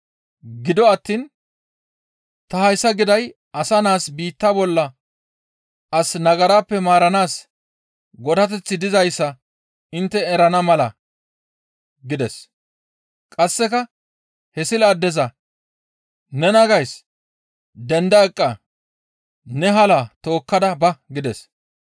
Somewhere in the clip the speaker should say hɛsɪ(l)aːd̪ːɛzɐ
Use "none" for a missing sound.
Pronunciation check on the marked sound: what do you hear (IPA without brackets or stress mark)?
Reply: l